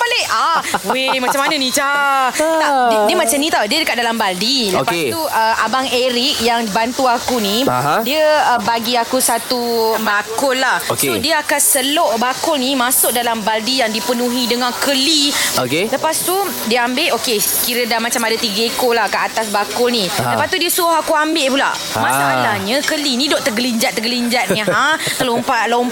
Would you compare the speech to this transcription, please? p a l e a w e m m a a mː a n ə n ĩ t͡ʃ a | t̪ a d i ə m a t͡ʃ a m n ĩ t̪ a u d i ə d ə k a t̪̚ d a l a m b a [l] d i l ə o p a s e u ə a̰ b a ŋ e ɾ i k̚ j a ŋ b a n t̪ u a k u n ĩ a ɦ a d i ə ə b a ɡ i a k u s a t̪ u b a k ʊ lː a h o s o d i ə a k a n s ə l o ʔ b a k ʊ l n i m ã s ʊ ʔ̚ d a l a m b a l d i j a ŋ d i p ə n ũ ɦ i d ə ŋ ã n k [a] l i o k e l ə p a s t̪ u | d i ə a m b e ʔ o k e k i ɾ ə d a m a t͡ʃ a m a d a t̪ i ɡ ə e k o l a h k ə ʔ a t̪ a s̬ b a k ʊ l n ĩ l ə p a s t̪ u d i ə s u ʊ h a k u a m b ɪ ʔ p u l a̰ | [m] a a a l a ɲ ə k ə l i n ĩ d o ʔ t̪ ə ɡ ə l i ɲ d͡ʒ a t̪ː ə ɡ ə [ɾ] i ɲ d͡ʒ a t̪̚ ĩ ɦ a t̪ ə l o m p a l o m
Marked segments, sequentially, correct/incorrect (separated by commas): correct, incorrect, correct, incorrect